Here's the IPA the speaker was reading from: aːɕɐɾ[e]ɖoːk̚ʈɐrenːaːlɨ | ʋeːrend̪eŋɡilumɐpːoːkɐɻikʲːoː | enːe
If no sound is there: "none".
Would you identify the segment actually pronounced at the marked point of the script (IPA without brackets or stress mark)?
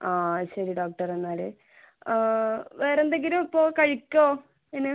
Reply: i